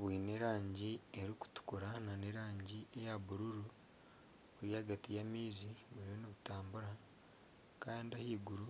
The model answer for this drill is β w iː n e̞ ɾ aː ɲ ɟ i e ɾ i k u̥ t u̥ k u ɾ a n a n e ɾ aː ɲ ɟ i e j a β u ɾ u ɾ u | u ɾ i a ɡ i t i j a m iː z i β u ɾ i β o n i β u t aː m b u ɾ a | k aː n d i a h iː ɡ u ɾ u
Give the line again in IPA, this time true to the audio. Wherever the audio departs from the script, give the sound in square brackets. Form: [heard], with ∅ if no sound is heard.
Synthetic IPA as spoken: β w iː n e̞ ɾ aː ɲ ɟ i e ɾ i k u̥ t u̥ k u ɾ a n a n e ɾ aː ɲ ɟ i e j a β u ɾ u ɾ u | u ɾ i a ɡ [a] t i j a m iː z i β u ɾ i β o n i β u t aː m b u ɾ a | k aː n d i a h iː ɡ u ɾ u

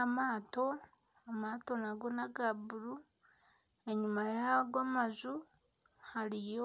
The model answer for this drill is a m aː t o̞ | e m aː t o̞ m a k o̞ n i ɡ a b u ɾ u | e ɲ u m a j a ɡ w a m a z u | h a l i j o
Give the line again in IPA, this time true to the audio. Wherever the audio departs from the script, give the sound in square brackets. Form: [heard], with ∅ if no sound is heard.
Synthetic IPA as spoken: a m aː t o̞ | [a] m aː t o̞ [n] a [ɡ] o̞ n [a] ɡ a b u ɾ u | e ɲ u m a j a ɡ w a m a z u | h a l i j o

